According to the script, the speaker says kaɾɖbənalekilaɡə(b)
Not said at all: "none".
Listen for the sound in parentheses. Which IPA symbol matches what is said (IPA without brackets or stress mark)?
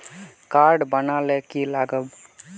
b